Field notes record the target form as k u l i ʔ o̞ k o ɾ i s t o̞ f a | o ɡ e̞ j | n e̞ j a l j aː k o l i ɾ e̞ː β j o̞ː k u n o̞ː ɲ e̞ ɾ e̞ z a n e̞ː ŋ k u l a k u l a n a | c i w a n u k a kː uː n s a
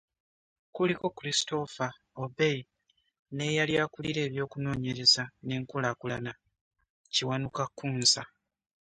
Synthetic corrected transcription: k u l i k o̞ k u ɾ i s t o̞ f a | o b e̞ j | n e̞ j a l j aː k u l i ɾ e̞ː β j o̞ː k u n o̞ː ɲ e̞ ɾ e̞ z a n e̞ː ŋ k u l a k u l a n a | c i w a n u k a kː uː n s a